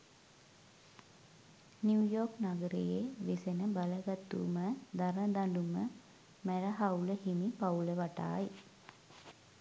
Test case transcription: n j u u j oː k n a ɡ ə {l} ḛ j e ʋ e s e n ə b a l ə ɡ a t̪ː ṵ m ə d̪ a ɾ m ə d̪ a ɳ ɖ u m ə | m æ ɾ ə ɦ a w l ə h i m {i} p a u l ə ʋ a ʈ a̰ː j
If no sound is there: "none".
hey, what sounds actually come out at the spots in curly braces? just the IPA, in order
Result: ɾ, i

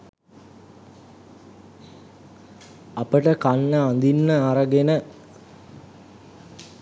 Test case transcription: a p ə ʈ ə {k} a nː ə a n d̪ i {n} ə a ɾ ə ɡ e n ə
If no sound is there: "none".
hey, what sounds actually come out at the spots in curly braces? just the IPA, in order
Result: k, nː

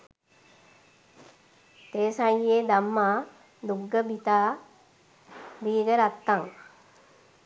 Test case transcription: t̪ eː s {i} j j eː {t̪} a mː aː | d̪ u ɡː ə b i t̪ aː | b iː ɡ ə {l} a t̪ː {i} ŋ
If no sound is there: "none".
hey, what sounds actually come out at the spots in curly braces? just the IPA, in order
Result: a, d̪, ɾ, a

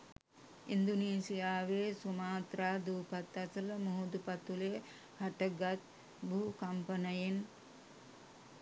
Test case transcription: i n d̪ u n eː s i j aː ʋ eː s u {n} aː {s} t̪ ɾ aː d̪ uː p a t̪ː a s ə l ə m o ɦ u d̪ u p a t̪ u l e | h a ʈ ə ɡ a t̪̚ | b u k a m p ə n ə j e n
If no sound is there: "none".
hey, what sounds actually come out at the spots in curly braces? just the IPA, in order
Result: m, none

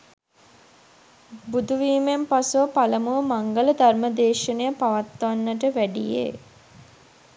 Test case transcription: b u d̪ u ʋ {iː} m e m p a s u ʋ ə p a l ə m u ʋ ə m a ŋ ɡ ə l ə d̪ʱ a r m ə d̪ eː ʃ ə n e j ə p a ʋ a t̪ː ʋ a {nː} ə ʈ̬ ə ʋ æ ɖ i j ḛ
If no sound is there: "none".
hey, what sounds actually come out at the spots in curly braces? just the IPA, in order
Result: iː, nː

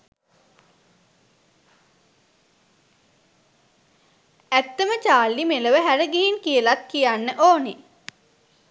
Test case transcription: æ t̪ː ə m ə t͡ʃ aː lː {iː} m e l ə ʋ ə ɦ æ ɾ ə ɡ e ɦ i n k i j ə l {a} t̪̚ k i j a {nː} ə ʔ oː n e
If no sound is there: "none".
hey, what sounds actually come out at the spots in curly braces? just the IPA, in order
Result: i, a, nː

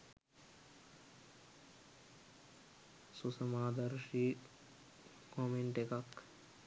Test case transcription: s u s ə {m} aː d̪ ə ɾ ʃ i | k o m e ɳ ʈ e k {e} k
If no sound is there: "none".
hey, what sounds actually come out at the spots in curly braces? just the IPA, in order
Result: m, a

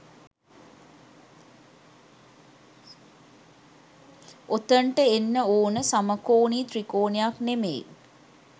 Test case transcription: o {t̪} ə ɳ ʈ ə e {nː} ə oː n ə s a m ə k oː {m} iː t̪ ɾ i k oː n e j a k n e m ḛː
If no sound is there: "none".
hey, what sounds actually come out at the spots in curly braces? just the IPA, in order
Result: t̪, nː, n

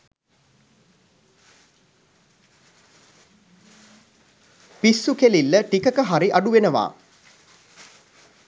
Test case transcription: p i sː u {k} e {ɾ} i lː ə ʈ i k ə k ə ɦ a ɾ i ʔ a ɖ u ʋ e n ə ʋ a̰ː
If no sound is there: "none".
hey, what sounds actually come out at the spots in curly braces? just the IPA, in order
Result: k, l

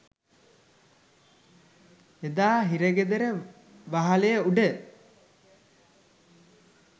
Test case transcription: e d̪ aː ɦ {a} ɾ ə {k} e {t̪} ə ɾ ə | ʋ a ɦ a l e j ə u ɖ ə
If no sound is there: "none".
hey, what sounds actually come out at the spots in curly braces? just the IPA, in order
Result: i, ɡ, d̪

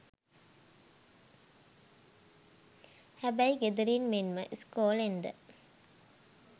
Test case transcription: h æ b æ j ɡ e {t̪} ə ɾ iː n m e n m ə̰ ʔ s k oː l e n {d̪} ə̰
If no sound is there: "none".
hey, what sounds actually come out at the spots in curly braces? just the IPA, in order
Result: d̪, d̪

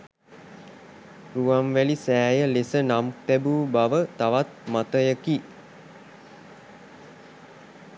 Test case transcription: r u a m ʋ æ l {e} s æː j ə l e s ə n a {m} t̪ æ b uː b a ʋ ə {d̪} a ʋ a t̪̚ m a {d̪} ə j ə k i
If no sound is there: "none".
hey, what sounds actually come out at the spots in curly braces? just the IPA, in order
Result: i, m, t̪, t̪

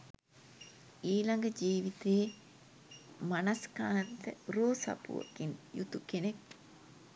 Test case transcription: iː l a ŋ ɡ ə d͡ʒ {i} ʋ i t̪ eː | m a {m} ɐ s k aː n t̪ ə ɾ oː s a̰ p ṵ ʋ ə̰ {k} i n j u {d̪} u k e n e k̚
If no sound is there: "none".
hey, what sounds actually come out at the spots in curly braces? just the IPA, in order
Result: iː, n, k, t̪

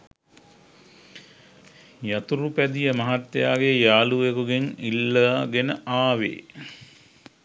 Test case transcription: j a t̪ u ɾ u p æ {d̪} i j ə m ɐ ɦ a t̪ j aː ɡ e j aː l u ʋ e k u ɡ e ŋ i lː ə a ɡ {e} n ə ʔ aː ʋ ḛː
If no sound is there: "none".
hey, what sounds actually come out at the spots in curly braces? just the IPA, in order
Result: d̪, e

